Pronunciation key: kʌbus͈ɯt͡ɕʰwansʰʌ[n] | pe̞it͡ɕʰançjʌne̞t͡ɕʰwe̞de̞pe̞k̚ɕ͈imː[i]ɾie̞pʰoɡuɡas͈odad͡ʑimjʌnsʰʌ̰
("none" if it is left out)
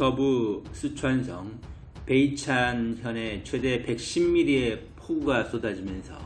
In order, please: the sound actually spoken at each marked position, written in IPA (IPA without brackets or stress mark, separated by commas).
ŋ, i